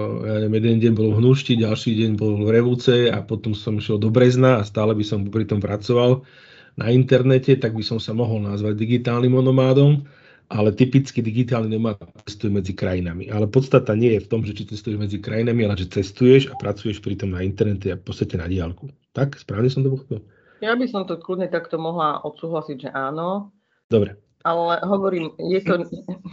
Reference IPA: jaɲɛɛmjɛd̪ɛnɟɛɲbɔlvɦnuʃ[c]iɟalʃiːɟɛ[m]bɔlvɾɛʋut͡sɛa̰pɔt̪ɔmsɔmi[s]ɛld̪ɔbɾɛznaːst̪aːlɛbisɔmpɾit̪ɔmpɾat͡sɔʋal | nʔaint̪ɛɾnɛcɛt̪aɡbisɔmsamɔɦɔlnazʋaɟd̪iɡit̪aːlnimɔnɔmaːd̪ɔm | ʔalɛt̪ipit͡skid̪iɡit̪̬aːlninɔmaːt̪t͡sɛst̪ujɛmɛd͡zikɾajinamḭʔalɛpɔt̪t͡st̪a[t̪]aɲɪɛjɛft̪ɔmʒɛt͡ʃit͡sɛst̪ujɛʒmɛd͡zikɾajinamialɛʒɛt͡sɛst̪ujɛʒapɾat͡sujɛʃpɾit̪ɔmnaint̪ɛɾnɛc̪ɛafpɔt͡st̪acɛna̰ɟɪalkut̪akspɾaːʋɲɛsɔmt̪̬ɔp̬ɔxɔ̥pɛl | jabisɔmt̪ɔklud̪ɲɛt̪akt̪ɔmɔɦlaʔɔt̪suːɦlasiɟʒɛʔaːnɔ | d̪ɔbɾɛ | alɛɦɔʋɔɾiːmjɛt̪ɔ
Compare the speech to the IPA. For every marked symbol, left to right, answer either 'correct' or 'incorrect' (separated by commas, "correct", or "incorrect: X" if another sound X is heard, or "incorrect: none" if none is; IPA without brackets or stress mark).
correct, incorrect: ɲ, incorrect: ʃ, correct